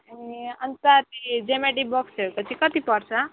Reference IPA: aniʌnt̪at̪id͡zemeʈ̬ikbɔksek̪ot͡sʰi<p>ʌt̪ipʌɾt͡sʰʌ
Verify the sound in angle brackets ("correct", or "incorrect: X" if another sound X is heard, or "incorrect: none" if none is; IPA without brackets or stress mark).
incorrect: k